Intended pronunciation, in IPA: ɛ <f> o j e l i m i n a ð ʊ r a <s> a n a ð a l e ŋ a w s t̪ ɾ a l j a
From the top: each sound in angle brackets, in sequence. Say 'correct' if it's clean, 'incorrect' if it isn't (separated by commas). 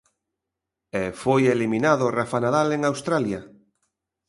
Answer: correct, incorrect